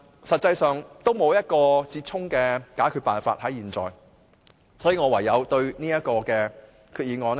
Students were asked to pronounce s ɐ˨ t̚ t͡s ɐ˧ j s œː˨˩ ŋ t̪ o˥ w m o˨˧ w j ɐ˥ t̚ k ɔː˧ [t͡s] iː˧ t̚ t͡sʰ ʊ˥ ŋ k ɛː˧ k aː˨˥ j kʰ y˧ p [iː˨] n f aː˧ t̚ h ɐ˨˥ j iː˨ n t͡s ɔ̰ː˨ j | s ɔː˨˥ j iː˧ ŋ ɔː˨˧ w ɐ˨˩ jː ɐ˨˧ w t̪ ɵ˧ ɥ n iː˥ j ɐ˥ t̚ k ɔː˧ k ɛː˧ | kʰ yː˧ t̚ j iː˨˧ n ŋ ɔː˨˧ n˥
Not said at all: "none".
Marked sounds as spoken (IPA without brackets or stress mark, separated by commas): t͡s, aː˨